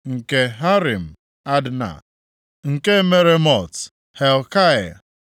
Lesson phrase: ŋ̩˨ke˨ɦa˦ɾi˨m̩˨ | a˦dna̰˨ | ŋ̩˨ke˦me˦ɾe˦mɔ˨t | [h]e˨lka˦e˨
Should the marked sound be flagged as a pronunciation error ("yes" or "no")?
no